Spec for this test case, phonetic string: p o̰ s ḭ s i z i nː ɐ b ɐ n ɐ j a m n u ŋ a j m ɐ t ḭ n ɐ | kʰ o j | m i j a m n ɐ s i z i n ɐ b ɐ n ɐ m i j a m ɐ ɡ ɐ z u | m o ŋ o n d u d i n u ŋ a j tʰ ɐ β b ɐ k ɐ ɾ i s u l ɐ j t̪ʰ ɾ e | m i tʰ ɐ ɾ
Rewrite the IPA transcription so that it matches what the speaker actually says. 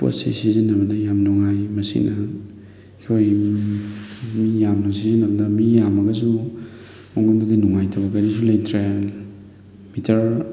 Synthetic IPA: p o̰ s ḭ s i z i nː ɐ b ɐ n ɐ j a m n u ŋ a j m ɐ s ḭ n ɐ | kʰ o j | m i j a m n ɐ s i z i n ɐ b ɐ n ɐ m i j a m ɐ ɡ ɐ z u | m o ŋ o n d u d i n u ŋ a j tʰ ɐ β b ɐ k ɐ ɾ i s u l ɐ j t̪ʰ ɾ e | m i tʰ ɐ ɾ